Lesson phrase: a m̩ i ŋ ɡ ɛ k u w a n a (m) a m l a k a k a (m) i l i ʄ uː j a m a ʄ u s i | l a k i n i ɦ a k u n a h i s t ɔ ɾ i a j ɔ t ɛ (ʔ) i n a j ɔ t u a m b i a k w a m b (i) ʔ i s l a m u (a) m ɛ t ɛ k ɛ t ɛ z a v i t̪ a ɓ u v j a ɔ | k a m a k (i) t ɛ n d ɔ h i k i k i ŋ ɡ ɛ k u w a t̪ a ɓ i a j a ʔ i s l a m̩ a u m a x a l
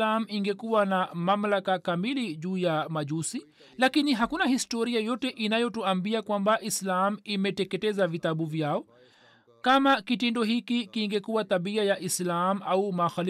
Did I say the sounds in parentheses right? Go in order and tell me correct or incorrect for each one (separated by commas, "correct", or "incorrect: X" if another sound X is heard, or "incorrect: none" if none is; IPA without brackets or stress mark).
correct, correct, correct, incorrect: a, incorrect: i, correct